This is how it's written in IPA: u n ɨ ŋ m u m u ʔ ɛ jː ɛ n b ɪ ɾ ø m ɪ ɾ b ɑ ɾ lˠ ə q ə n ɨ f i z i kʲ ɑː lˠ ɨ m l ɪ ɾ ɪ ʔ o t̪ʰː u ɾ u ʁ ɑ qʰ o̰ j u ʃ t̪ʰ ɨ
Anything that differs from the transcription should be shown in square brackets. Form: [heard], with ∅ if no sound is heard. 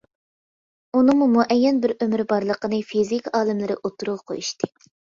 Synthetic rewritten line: u n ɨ ŋ m u m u ʔ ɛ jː ɛ n b ɪ ɾ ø m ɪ ɾ b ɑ ɾ lˠ ə q ə n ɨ f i z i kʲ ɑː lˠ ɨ m l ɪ ɾ ɪ ʔ o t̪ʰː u ɾ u ʁ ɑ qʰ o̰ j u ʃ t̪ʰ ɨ